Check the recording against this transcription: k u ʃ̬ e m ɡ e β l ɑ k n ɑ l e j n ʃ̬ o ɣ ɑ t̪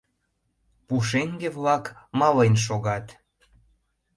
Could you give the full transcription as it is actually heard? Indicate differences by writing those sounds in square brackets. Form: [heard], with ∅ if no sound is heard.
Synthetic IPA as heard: [p] u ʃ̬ e [ŋ] ɡ e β l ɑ k [m] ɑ l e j n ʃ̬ o ɣ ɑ t̪